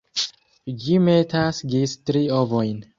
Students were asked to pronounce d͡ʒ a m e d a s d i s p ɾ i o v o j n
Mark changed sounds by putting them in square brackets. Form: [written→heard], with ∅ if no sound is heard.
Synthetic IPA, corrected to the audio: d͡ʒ [a→i] m e [d→t] a s [d→ɡ] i s [p→t] ɾ i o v o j n